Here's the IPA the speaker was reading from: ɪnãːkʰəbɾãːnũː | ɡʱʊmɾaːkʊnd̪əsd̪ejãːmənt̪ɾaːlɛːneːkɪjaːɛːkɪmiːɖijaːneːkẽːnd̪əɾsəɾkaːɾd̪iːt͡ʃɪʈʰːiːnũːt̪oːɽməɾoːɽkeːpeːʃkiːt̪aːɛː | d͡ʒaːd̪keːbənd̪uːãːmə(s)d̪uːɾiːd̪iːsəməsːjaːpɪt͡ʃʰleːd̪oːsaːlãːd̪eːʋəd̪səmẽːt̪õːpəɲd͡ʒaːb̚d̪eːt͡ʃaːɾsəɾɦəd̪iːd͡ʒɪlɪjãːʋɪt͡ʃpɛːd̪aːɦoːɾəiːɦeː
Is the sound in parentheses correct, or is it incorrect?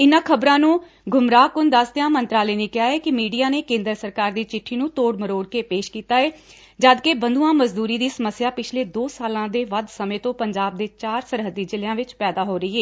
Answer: incorrect